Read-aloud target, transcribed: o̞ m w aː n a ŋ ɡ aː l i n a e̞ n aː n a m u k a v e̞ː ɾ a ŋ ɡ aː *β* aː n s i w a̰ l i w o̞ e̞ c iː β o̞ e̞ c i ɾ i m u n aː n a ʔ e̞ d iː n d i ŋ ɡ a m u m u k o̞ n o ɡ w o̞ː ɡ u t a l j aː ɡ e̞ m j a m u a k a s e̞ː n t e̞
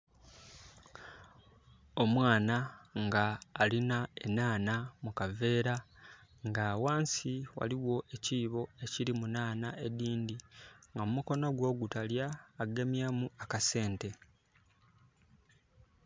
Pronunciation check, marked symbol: incorrect: w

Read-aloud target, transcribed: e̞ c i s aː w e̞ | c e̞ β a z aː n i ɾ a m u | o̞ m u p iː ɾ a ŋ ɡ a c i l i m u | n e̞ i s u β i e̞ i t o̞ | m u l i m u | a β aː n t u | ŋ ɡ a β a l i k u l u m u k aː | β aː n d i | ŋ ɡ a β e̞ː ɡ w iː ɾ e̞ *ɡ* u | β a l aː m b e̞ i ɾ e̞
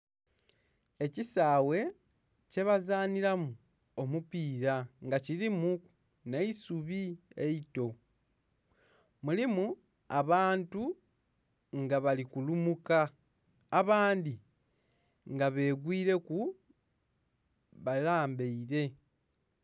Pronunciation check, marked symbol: incorrect: k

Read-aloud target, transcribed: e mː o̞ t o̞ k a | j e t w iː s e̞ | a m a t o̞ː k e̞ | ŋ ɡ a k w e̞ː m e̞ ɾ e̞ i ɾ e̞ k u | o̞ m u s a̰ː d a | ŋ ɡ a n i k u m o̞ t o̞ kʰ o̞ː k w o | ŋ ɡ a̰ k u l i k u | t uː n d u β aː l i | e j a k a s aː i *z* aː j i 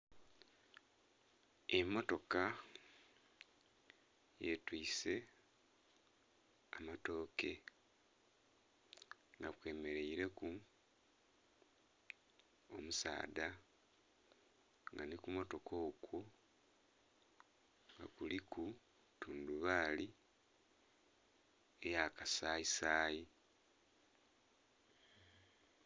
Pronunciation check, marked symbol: incorrect: s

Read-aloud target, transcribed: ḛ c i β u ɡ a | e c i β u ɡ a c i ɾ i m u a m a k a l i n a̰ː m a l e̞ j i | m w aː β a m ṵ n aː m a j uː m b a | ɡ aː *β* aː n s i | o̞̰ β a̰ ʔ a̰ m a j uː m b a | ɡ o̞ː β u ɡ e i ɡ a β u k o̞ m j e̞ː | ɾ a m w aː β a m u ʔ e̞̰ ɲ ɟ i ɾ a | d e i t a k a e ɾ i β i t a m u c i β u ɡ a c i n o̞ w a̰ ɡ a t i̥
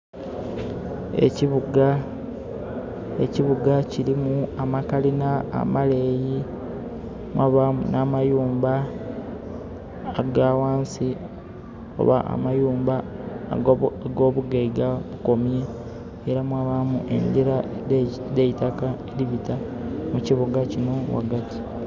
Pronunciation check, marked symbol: incorrect: w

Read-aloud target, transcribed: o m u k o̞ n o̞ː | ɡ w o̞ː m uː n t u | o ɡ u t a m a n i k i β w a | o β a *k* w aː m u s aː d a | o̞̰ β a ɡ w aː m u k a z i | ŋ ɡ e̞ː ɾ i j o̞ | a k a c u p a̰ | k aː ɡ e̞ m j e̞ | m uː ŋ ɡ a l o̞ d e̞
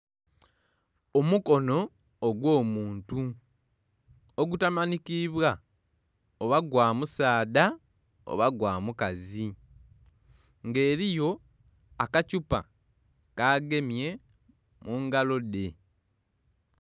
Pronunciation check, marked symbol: incorrect: ɡ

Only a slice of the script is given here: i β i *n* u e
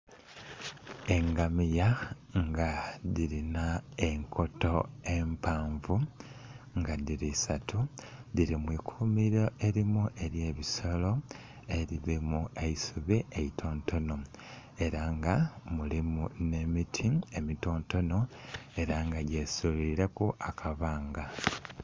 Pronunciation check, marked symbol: incorrect: m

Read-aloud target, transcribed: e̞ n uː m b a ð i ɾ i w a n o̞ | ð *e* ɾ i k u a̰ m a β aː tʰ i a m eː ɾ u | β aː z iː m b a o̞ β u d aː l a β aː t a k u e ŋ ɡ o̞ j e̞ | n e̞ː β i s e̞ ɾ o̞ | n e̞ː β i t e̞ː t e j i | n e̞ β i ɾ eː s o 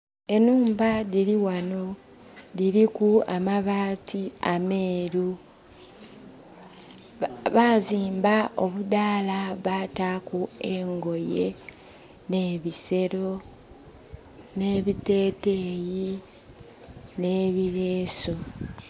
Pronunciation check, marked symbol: incorrect: i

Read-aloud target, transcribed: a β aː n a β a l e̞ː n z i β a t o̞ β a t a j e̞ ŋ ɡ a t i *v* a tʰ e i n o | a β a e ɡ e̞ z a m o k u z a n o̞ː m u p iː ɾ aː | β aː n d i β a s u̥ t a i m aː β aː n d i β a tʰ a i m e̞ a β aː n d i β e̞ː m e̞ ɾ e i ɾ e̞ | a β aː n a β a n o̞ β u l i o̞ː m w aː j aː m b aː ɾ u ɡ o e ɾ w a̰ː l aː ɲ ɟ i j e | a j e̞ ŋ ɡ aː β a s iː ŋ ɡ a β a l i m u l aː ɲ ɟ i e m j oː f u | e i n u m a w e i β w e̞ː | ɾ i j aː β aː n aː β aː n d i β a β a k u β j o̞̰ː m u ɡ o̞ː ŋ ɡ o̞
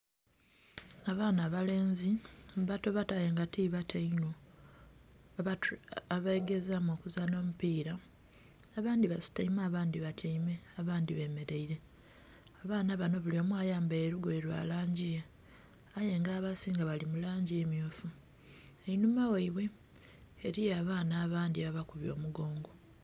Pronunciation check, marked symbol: incorrect: β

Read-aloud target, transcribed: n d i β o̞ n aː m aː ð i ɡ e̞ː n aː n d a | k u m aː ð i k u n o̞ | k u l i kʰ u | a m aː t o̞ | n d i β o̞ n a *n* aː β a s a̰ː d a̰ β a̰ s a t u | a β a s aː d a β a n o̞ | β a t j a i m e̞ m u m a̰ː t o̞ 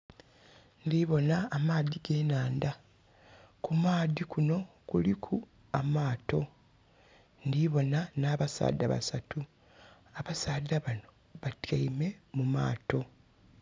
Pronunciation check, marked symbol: correct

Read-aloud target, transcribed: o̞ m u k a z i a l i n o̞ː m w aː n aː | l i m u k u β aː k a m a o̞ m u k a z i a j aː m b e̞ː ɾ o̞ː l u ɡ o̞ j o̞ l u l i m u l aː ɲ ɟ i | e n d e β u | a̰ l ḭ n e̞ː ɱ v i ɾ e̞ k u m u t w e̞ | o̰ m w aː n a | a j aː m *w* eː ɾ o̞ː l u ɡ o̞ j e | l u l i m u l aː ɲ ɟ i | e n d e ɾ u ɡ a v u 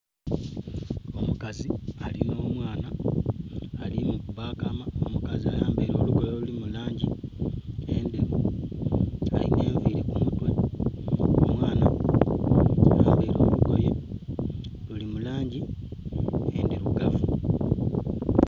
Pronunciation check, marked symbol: incorrect: b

